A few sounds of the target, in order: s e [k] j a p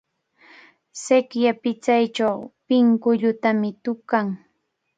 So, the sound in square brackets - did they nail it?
yes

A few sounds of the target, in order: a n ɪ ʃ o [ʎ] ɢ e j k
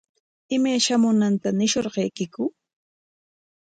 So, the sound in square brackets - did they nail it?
no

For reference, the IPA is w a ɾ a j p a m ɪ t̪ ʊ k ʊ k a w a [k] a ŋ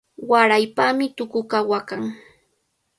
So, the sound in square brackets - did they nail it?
yes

